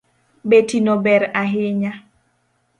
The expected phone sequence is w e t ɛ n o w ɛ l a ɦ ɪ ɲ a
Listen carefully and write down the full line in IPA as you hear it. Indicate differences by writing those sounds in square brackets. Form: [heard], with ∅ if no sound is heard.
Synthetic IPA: [b] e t [i] n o [b] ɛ [ɾ] a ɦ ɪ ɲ a